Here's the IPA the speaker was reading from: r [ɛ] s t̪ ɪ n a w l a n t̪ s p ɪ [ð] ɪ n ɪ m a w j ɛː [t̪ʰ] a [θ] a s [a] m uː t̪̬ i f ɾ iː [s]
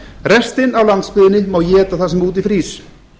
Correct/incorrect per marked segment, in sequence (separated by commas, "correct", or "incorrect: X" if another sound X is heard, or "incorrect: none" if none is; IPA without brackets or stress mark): correct, correct, incorrect: t̪, correct, incorrect: ɛ, correct